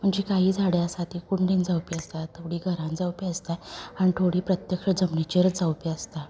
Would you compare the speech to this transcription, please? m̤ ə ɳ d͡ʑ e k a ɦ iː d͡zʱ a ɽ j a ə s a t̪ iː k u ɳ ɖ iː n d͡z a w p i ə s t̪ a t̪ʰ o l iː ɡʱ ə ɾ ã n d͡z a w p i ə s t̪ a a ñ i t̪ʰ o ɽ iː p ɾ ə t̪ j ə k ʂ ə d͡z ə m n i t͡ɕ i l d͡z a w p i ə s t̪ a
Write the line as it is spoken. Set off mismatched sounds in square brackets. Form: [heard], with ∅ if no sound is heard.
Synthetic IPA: m̤ ə ɳ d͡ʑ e k a ɦ iː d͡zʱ a ɽ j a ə s a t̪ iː k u ɳ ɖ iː n d͡z a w p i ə s t̪ a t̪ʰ o [ɽ] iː ɡʱ ə ɾ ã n d͡z a w p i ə s t̪ a a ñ i t̪ʰ o ɽ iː p ɾ ə t̪ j ə k ʂ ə d͡z ə m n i t͡ɕ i [ɾ] d͡z a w p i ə s t̪ a